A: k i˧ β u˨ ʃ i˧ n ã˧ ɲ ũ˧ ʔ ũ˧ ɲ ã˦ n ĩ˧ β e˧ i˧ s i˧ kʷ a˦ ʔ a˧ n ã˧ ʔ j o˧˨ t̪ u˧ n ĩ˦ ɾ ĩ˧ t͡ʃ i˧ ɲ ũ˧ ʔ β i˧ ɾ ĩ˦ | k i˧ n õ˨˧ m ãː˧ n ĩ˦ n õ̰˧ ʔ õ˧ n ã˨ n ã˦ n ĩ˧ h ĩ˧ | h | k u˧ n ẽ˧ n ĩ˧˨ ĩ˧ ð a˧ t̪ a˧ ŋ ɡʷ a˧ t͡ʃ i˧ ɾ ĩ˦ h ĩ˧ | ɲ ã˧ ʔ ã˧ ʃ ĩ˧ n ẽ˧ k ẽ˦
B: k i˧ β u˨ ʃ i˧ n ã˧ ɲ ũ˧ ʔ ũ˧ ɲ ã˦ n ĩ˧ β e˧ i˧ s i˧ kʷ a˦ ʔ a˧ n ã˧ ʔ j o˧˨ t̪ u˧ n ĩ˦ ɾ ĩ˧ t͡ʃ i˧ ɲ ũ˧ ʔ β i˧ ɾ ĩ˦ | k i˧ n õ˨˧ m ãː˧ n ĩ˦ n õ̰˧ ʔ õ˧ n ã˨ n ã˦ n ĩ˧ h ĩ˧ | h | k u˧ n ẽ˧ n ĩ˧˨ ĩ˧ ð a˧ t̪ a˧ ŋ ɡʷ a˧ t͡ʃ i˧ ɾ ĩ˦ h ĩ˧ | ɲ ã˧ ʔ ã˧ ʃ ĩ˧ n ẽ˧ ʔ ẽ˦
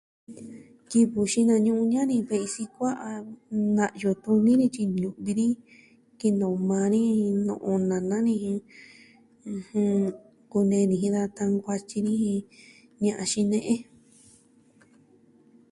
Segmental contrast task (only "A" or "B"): B